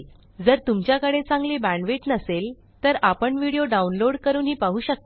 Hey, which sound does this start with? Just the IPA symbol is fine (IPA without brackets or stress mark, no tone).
d͡z